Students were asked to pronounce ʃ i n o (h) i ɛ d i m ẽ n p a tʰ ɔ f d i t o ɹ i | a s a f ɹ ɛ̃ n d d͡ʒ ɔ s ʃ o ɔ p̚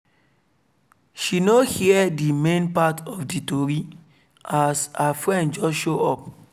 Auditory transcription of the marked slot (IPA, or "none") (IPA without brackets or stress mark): h